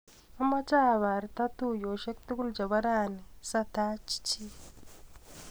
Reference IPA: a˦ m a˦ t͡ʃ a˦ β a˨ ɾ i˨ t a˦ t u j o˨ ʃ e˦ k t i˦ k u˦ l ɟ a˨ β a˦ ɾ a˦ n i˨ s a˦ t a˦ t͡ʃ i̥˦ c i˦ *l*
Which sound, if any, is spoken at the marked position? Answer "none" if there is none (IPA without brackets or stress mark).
none